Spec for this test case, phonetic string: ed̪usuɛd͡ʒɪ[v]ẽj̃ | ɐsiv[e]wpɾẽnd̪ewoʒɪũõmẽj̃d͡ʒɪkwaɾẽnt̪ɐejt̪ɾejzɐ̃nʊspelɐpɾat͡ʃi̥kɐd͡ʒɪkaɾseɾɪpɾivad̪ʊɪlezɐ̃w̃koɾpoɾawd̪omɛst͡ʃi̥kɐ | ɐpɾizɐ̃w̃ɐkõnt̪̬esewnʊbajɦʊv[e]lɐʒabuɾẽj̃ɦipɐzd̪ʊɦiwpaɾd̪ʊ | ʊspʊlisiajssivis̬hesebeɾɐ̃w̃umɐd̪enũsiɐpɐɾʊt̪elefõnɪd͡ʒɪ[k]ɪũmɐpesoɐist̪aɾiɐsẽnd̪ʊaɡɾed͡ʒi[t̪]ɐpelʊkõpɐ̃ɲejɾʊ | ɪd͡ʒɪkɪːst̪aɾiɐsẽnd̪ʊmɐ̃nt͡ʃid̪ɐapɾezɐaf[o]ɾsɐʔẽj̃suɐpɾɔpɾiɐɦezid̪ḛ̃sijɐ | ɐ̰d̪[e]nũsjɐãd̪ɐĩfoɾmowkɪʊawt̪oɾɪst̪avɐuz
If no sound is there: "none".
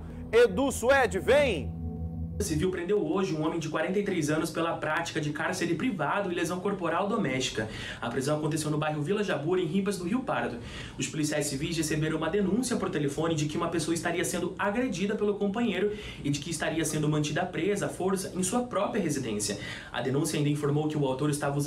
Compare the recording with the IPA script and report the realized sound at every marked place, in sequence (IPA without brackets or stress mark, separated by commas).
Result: v, i, i, k, d̪, o, e